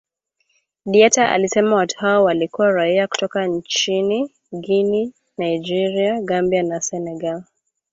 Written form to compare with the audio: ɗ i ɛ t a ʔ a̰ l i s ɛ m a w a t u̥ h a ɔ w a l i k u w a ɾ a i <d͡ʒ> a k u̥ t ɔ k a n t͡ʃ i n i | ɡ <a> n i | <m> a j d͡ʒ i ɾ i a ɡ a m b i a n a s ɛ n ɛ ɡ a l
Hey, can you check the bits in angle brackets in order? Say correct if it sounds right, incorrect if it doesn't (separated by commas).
incorrect, incorrect, incorrect